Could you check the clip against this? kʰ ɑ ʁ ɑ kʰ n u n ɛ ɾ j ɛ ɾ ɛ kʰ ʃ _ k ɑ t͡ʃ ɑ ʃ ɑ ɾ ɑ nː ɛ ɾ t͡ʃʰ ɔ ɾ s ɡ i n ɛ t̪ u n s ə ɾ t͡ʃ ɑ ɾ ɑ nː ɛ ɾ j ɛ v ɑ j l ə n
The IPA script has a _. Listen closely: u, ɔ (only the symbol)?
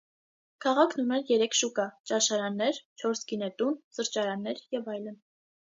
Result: u